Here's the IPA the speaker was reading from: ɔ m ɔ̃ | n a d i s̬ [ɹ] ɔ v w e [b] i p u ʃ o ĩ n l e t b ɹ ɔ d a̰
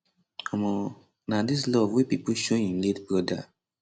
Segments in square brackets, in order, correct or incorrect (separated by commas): incorrect, incorrect